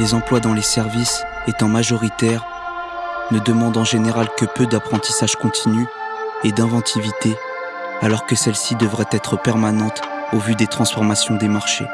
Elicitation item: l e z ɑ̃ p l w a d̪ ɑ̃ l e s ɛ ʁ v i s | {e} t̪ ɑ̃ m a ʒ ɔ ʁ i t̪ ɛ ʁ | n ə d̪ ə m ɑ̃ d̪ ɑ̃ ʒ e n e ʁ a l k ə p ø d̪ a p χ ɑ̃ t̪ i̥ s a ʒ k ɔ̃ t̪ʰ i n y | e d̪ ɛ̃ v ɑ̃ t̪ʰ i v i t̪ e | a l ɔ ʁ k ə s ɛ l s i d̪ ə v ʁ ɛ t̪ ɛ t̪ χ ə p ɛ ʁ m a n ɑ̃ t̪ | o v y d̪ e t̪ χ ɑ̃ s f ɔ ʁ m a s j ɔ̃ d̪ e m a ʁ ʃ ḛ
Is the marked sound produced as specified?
yes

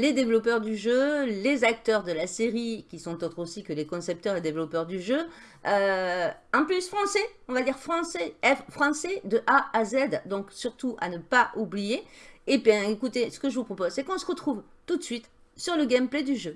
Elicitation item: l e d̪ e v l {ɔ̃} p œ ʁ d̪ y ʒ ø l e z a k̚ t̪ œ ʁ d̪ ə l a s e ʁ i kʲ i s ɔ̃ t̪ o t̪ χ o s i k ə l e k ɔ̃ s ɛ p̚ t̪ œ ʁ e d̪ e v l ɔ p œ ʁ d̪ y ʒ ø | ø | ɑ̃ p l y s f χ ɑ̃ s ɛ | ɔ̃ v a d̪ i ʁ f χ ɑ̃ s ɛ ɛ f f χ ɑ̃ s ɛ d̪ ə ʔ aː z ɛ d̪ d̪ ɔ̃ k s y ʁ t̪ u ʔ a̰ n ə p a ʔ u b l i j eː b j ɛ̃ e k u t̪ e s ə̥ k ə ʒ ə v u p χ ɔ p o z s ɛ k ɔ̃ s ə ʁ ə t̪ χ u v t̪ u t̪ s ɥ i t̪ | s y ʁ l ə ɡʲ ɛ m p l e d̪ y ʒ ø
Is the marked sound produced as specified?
no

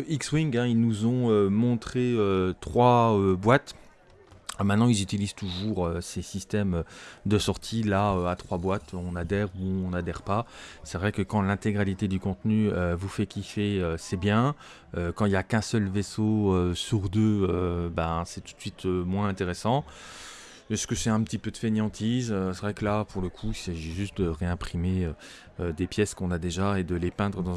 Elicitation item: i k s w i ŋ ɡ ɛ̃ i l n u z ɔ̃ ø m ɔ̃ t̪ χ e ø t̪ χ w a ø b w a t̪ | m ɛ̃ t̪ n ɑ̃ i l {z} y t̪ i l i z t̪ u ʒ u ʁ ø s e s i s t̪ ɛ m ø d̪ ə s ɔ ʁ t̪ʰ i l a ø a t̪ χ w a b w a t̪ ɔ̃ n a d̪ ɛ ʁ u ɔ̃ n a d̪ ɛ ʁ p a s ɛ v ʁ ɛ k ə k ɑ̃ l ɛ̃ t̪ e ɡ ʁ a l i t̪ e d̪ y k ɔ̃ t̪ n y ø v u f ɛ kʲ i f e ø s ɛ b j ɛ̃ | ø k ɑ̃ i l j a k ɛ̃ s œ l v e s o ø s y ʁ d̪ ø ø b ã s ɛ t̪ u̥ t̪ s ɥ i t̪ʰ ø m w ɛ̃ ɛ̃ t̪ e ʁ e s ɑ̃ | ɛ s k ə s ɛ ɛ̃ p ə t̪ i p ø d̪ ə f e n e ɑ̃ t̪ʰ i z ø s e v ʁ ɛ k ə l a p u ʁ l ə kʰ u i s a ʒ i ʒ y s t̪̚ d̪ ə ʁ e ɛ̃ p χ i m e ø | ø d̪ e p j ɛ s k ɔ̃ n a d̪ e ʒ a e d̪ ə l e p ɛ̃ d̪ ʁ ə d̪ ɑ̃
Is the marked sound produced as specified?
yes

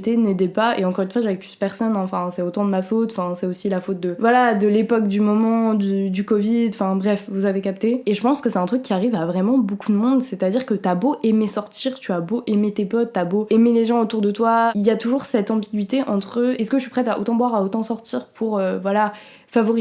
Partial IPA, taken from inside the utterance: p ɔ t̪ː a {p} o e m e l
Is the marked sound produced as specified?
no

